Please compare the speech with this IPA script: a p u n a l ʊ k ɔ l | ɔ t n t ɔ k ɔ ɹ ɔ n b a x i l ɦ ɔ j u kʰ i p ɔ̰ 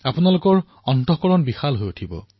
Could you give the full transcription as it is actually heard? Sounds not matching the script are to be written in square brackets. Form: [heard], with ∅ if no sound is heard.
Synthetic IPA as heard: a p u n a l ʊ k ɔ [ɹ] | ɔ [∅] n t ɔ k ɔ ɹ ɔ n b [i] x [a] l ɦ [o] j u [tʰ] i [b] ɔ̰